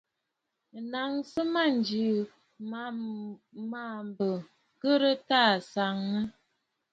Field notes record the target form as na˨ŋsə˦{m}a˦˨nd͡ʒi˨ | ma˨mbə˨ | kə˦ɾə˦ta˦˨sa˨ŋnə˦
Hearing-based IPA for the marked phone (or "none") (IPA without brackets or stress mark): m